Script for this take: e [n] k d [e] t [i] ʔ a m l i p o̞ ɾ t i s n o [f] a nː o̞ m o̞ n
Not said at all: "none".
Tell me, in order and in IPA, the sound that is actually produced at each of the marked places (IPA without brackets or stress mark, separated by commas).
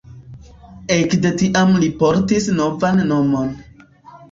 none, e, i, v